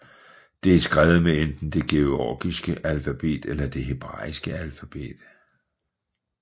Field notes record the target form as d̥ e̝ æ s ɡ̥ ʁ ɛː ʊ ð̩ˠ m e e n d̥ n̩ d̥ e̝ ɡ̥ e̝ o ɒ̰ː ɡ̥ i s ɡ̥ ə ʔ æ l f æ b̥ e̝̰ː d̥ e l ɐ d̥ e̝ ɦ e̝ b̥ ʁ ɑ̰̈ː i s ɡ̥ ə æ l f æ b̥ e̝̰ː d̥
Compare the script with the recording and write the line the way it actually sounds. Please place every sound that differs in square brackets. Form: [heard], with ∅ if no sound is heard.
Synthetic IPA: d̥ e̝ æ s ɡ̥ ʁ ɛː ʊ ð̩ˠ m e e n d̥ n̩ d̥ e̝ ɡ̥ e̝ o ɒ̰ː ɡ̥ i s ɡ̥ ə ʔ æ l f æ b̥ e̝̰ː d̥ e l ɐ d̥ e̝ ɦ e̝ b̥ ʁ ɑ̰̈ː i s ɡ̥ ə æ l f æ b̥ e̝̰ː d̥